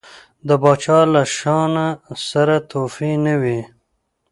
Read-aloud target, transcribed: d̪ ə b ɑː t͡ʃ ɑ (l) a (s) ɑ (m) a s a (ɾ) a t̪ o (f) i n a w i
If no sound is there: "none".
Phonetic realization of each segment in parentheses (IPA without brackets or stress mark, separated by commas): l, ʃ, n, ɾ, f